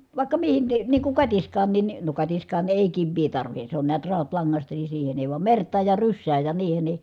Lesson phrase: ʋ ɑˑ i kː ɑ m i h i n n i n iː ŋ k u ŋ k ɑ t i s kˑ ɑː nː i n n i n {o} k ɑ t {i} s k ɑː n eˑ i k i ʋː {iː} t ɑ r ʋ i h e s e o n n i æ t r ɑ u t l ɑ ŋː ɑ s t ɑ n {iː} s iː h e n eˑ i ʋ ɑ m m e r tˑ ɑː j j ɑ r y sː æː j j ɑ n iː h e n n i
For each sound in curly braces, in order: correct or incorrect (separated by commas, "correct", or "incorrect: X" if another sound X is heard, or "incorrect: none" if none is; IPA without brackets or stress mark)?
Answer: correct, correct, correct, incorrect: i